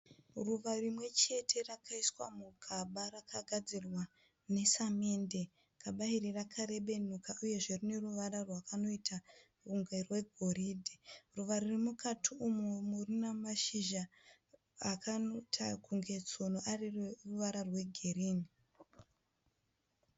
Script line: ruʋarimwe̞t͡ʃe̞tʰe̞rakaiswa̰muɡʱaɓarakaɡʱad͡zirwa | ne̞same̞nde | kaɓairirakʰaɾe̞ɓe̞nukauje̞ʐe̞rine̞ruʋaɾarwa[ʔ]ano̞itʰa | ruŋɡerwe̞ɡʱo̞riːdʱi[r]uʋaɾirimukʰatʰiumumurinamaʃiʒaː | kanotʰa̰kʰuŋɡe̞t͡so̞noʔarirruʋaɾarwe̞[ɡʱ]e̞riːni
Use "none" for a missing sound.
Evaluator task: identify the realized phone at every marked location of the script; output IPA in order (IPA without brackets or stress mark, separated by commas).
k, r, ɡʱ